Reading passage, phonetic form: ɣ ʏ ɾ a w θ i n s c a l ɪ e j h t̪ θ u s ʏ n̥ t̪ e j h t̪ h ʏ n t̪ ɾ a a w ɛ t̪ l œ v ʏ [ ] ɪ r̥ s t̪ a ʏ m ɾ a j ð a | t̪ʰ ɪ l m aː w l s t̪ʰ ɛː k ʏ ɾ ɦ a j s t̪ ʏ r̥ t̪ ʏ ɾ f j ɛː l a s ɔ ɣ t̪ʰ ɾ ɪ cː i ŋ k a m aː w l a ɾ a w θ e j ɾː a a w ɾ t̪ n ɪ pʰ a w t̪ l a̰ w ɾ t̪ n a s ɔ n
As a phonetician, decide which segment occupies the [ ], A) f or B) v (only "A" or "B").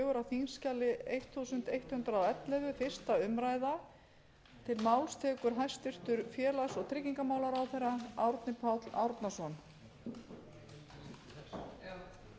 A